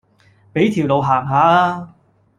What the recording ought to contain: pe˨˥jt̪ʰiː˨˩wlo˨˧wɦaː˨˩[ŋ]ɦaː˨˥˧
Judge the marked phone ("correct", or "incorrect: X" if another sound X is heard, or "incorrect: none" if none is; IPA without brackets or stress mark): correct